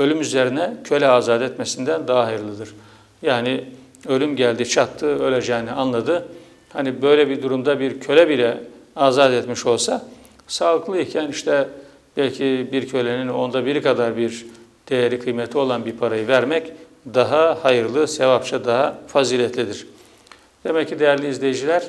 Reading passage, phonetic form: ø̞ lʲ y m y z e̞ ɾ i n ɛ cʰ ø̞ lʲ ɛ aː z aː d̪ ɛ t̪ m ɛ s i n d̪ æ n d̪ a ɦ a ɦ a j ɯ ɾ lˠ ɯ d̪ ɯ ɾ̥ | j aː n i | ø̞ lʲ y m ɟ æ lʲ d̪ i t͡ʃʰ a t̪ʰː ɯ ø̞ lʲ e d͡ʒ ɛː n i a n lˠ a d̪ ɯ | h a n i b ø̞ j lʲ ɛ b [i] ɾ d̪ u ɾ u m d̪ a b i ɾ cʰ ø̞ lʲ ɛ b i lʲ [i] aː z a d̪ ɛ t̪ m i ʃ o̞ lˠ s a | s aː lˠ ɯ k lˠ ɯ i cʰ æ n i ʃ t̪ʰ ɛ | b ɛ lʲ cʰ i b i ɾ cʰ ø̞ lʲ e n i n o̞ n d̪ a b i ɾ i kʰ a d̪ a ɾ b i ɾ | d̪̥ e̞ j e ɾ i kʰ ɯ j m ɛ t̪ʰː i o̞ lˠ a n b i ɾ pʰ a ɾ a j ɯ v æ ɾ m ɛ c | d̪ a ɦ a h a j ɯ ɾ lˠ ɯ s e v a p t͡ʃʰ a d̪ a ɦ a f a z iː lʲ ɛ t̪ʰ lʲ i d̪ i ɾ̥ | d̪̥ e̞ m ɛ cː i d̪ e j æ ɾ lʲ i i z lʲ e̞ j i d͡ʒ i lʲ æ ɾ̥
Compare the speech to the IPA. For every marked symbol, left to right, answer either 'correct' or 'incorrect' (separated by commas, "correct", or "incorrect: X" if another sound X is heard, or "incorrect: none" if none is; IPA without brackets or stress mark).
correct, incorrect: ɛ